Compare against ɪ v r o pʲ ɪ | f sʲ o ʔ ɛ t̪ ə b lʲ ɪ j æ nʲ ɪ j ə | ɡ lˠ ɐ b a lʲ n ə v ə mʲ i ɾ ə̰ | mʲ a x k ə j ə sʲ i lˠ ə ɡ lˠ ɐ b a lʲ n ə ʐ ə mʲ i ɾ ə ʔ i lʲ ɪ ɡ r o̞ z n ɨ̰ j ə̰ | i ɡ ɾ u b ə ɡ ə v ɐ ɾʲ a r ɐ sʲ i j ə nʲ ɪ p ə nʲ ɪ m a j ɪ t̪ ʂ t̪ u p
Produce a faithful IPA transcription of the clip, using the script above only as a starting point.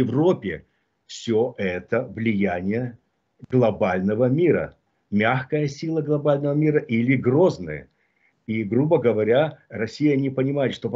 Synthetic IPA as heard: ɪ v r o pʲ ɪ | f sʲ o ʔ ɛ t̪ ə v lʲ ɪ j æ nʲ ɪ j ə | ɡ lˠ ɐ b a lʲ n ə v ə mʲ i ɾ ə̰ | mʲ a x k ə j ə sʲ i lˠ ə ɡ lˠ ɐ b a lʲ n ə v ə mʲ i ɾ ə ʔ i lʲ ɪ ɡ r o̞ z n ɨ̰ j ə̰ | i ɡ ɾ u b ə ɡ ə v ɐ ɾʲ a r ɐ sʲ i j ə nʲ ɪ p ə nʲ ɪ m a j ɪ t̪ ʂ t̪ o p